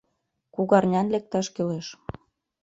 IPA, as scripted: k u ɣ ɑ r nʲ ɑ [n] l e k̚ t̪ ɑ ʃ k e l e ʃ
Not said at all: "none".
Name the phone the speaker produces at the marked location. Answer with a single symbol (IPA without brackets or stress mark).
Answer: n